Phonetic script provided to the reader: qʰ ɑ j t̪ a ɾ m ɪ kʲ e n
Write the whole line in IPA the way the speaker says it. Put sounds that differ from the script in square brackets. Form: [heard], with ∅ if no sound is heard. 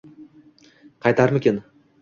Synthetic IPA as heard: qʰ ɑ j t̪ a ɾ m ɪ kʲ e n